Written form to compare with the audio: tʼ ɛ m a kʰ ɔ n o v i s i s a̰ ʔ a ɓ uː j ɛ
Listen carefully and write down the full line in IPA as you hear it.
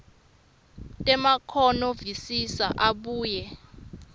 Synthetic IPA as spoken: tʼ ɛ m a kʰ ɔ n ɔ v i s i s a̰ ʔ a ɓ uː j ɛ